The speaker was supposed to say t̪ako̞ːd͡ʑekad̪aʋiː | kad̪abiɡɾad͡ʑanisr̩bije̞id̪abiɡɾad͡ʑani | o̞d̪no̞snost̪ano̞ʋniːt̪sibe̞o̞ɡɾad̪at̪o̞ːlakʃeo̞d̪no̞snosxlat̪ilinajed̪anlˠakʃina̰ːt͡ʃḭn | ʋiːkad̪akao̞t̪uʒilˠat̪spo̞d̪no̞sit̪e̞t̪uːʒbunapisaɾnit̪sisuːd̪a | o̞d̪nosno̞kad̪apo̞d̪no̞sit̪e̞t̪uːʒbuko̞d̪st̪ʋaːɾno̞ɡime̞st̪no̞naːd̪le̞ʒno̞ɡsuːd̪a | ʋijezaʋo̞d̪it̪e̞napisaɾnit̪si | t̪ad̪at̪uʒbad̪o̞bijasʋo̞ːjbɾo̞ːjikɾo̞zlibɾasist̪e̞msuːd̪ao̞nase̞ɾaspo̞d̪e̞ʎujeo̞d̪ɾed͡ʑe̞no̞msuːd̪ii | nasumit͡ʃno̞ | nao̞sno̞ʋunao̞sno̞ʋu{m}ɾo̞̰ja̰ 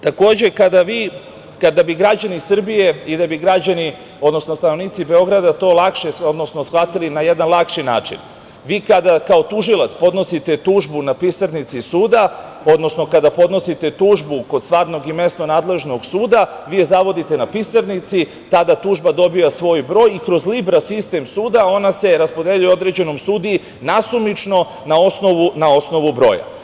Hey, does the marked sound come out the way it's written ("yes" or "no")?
no